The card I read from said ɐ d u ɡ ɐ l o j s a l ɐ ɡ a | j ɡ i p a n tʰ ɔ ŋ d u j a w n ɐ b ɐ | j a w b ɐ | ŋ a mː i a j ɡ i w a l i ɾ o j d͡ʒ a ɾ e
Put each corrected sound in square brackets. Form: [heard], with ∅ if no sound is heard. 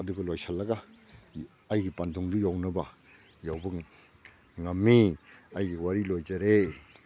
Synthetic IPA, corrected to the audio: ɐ d u ɡ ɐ l o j s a l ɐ ɡ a | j ɡ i p a n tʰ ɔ ŋ d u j a w n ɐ b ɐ | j a w b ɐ | ŋ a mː i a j ɡ i w a [ɾ] i [l] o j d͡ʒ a ɾ e